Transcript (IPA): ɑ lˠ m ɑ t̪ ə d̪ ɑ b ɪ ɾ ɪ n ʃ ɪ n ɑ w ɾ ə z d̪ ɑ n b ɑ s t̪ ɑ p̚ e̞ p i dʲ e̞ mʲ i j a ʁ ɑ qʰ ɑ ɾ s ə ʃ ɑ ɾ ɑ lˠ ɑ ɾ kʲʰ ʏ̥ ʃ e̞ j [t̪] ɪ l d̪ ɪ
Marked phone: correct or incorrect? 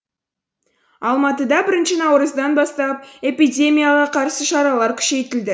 correct